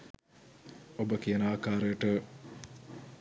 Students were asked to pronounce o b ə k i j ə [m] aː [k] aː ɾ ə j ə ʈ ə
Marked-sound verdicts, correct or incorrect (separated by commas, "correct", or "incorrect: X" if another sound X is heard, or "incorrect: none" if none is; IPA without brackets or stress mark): incorrect: n, correct